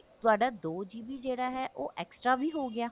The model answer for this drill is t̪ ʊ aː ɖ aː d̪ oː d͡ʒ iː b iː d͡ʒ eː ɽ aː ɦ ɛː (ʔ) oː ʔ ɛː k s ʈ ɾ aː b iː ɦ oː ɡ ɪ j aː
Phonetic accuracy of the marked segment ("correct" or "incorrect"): correct